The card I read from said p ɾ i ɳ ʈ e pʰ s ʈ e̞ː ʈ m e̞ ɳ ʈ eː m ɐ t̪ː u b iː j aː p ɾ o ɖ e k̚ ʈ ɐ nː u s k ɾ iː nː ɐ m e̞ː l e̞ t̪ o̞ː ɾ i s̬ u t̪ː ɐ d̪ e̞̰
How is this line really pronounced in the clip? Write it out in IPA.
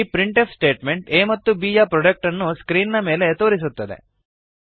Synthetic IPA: p ɾ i ɳ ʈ e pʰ s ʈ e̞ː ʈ m e̞ ɳ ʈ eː m ɐ t̪ː u b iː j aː p ɾ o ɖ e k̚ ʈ ɐ nː u s k ɾ iː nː ɐ m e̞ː l e̞ t̪ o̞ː ɾ i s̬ u t̪ː ɐ d̪ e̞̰